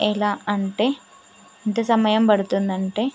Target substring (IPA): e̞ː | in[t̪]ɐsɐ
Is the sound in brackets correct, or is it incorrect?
correct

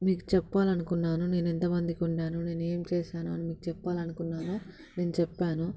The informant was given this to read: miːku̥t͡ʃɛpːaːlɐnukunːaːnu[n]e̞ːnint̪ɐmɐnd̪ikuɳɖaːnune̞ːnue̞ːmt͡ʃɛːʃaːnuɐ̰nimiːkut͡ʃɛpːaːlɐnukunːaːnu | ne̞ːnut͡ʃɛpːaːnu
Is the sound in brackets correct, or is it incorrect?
correct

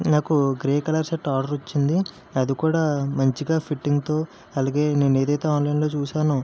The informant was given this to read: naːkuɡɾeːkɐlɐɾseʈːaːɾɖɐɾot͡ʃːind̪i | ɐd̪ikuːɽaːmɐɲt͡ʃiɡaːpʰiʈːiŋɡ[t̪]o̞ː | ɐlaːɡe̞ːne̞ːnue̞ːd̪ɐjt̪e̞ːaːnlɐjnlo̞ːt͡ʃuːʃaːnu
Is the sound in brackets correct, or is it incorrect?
correct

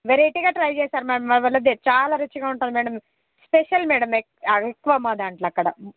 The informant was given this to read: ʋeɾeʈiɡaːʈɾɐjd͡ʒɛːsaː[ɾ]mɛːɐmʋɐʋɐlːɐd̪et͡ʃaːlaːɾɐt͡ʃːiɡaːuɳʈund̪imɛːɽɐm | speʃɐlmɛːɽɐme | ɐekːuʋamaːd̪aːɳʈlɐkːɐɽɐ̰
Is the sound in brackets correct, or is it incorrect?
correct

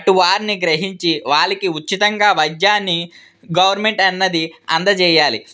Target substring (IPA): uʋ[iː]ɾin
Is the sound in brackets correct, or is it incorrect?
incorrect: aː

